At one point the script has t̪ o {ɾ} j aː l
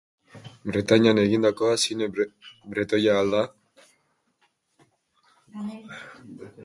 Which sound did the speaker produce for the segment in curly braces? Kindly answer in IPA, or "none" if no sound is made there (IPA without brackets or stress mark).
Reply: none